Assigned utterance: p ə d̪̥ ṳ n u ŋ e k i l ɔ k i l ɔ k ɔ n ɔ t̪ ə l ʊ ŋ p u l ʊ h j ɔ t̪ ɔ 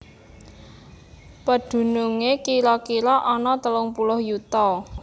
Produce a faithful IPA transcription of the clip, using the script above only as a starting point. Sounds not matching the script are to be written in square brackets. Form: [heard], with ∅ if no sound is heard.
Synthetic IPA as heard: p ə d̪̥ ṳ n u ŋ e k i l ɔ k i l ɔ [ʔ] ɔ n ɔ t̪ ə l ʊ ŋ p u l ʊ h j [u] t̪ ɔ

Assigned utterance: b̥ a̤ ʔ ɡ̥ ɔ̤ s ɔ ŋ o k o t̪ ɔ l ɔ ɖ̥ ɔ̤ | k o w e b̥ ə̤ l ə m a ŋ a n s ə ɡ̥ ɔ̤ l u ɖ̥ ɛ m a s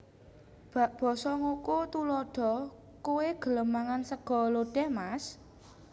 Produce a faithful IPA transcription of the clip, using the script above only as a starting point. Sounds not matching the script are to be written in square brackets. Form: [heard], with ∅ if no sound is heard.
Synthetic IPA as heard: b̥ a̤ ʔ [b̥] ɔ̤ s ɔ ŋ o k o t̪ [u] l ɔ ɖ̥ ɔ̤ | k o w e [ɡ̥] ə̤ l ə m a ŋ a n s ə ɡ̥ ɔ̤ l [o] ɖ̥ ɛ m a s

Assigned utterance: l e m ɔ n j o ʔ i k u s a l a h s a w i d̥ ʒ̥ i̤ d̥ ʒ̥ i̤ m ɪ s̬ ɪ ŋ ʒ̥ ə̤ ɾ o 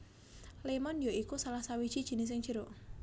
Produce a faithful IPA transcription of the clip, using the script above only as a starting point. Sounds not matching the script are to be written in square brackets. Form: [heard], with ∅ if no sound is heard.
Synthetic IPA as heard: l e m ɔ n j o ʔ i k u s a l a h s a w i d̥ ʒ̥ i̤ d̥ ʒ̥ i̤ [n] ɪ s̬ ɪ ŋ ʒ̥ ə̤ ɾ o

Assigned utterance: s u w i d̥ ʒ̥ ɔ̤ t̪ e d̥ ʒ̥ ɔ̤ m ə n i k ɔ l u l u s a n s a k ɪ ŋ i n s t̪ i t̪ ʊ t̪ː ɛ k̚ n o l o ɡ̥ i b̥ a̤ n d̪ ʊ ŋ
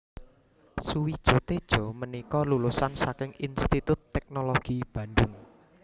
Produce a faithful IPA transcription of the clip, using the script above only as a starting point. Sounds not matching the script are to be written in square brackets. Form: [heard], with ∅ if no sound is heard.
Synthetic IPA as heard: s u w i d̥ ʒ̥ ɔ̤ t̪ e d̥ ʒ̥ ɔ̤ m ə n i k ɔ l u l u s a n s a k ɪ ŋ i n s t̪ i t̪ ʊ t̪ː ɛ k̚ n o l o ɡ̥ i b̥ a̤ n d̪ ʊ ŋ

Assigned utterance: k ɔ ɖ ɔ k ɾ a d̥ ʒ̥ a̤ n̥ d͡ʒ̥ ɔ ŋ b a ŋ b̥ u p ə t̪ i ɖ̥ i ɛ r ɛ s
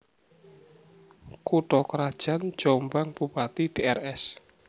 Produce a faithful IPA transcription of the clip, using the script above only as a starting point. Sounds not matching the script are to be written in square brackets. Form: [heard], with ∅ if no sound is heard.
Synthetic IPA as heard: k [u] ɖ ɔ k ɾ a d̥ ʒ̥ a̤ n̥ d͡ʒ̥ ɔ [m] b a ŋ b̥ u p [a] t̪ i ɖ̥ [e] ɛ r ɛ s

